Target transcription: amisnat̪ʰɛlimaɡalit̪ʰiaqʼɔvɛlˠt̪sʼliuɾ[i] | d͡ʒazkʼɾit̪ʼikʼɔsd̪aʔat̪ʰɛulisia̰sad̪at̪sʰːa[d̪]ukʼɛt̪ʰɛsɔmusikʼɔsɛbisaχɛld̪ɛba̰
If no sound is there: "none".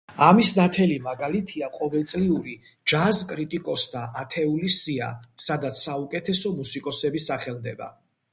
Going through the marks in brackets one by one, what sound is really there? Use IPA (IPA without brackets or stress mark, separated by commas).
i, none